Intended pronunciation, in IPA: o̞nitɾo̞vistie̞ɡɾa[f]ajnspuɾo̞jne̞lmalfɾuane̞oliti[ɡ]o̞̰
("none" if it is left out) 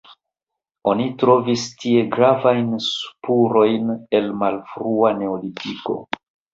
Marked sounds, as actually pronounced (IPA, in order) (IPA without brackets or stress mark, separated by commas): v, k